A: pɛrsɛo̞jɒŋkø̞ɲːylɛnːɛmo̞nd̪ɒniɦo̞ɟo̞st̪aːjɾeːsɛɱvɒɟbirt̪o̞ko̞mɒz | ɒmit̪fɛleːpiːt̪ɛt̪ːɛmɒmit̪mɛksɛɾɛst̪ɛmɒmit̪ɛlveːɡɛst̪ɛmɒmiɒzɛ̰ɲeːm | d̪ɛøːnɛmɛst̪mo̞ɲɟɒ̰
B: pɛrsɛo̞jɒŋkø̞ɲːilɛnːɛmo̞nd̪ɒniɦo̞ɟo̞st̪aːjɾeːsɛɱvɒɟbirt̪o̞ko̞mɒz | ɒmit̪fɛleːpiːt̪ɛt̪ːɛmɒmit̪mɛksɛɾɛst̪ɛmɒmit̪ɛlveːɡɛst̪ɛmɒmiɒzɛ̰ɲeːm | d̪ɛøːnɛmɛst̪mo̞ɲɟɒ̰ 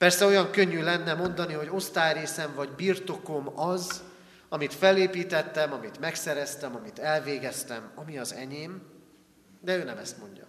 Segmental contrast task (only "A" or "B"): A